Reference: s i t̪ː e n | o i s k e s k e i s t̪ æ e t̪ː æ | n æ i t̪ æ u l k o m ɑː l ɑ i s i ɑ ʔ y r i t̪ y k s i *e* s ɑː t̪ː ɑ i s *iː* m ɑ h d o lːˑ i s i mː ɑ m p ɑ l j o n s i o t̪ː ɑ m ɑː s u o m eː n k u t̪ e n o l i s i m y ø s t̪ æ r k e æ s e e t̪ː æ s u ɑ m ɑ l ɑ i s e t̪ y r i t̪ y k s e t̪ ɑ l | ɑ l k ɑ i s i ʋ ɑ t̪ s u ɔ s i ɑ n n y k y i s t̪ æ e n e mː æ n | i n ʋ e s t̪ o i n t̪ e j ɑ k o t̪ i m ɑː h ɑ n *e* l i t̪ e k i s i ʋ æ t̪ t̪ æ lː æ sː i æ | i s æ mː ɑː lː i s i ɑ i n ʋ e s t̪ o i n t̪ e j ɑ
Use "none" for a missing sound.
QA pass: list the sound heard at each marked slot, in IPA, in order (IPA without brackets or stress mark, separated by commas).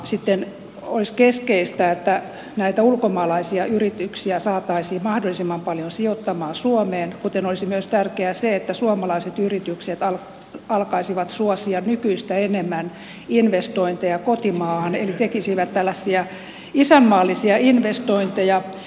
æ, iː, e